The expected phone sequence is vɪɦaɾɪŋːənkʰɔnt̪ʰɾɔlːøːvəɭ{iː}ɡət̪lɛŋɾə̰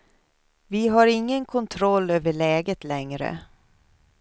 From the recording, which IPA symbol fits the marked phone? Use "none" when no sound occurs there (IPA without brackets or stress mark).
ɛː